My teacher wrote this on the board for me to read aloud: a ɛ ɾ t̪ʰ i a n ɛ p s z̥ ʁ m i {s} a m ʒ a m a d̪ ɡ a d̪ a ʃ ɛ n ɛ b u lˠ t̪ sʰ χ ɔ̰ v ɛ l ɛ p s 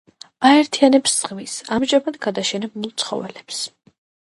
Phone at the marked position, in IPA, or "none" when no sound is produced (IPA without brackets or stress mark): s